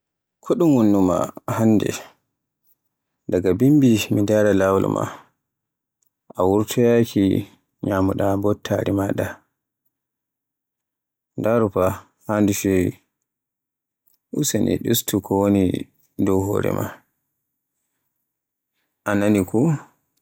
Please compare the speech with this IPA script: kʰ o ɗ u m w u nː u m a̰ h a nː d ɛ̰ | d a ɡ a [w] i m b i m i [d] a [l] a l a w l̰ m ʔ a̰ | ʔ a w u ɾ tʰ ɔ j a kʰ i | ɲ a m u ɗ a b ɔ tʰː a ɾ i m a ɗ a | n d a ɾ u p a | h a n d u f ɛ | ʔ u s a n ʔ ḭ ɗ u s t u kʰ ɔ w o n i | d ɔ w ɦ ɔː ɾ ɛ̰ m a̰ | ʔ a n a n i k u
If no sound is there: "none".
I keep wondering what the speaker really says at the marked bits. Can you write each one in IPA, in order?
b, d, ɾ

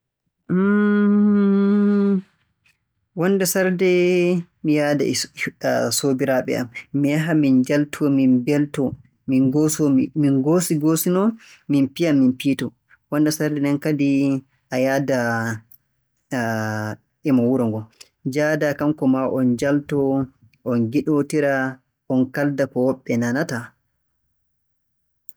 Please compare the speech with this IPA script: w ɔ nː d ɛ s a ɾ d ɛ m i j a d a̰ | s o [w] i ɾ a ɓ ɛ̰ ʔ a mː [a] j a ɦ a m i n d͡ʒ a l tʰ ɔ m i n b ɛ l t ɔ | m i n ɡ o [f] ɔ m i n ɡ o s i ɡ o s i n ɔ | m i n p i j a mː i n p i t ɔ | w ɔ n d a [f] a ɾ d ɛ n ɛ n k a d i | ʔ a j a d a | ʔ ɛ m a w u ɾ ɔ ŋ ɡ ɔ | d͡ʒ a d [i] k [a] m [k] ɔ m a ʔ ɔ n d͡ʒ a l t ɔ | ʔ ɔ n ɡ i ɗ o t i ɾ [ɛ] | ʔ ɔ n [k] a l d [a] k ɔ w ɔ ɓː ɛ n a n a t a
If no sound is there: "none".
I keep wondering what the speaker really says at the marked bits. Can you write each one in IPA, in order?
b, i, s, s, a, a, k, a, k, a

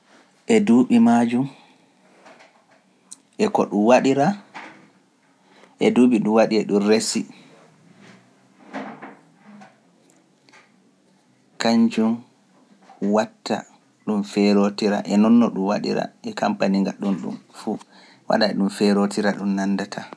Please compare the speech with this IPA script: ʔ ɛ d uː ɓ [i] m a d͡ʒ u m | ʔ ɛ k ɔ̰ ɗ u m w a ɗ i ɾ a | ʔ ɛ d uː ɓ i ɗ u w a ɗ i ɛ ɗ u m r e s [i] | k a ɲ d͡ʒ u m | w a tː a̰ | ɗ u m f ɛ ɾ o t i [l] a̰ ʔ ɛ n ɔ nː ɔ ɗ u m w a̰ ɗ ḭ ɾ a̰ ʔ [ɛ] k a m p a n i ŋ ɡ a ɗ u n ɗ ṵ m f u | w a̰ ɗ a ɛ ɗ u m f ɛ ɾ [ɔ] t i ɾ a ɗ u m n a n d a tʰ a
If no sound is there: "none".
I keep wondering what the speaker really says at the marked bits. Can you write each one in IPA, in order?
i, i, ɾ, ɛ, o

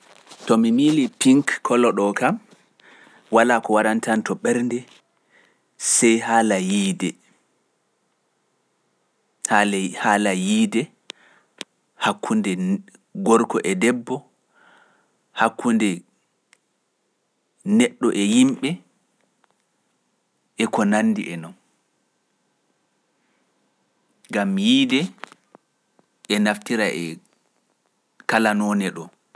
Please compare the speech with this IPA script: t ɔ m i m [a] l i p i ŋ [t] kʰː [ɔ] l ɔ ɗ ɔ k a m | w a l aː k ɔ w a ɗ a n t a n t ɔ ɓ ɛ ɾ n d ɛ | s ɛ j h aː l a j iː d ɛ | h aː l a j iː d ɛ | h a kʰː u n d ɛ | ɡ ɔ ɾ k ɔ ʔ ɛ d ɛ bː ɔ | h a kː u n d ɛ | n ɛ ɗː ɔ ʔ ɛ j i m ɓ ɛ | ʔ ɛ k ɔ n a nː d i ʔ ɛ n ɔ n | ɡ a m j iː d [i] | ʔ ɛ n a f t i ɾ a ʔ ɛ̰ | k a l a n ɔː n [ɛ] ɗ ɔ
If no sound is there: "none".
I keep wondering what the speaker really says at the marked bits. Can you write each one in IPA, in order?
i, k, ɔ, ɛ, ɛ

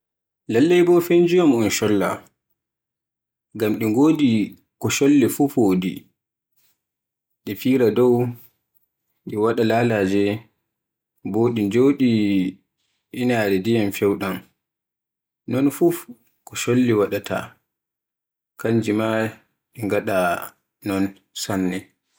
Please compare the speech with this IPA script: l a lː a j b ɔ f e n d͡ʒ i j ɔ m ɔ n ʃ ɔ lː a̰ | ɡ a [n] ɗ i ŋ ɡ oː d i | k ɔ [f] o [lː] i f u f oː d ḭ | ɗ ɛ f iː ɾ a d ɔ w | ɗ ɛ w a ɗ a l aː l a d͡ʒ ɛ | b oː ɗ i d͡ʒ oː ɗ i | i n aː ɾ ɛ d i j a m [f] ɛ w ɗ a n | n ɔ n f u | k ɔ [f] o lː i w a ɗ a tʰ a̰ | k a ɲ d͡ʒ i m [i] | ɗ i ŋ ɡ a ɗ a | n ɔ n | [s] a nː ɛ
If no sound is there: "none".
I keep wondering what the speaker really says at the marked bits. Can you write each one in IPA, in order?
m, ʃ, lː, f, ʃ, a, s

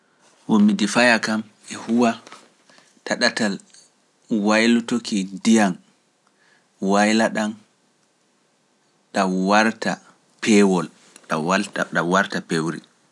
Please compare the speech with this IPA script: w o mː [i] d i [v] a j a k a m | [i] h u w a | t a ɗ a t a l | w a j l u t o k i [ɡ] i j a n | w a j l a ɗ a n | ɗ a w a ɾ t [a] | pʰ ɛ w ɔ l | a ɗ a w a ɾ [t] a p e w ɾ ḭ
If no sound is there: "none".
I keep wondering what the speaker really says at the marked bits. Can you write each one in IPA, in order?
i, f, ɛ, d, a, t

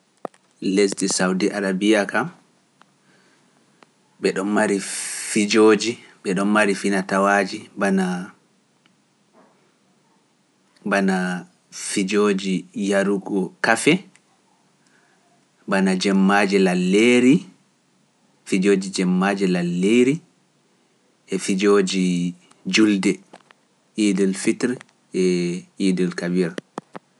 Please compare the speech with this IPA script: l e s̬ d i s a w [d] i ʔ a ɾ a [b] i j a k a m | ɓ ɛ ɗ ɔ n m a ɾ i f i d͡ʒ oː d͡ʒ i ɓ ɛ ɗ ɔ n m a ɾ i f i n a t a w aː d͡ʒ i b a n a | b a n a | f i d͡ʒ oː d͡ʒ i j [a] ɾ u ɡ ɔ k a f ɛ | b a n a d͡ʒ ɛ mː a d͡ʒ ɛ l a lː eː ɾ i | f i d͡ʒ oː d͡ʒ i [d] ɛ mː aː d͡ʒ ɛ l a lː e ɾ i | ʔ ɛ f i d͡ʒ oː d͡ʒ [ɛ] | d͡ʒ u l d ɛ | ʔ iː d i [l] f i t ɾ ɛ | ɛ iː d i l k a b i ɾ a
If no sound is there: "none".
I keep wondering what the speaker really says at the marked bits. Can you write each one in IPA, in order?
d, b, a, d͡ʒ, i, l

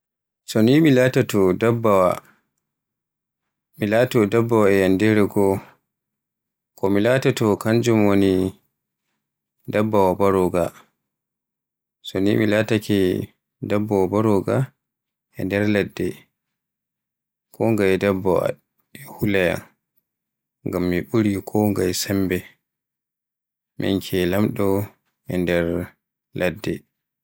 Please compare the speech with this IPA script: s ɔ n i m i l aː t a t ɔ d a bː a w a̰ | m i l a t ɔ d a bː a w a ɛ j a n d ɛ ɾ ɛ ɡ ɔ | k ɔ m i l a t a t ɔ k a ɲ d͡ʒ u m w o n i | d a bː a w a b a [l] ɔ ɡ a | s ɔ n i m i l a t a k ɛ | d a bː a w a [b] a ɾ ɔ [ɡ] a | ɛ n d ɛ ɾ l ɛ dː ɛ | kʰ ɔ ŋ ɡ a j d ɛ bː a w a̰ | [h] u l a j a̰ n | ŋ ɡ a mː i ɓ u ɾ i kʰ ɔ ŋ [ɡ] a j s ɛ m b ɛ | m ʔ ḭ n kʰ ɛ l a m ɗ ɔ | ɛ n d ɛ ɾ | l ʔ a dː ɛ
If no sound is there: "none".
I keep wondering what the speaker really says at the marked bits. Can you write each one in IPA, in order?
ɾ, b, ɡ, h, ɡ

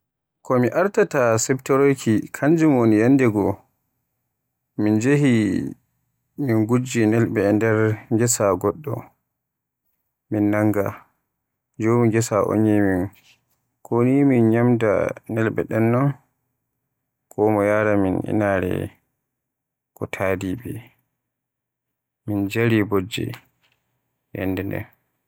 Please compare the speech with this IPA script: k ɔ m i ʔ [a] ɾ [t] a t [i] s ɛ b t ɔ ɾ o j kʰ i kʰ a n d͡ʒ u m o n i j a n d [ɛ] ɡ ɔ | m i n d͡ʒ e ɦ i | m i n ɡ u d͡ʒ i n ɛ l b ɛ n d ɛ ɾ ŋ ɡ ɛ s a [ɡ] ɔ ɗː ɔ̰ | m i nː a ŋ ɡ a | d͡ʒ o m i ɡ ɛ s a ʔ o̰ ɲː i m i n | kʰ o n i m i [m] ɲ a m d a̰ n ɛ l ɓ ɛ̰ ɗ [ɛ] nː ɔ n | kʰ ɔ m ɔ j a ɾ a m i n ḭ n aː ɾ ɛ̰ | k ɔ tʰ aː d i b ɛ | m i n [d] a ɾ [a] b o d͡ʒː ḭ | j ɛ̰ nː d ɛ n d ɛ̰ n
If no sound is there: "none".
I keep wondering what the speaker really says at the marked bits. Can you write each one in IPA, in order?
a, t, a, ɛ, ɡ, n, ɛ, d͡ʒ, i

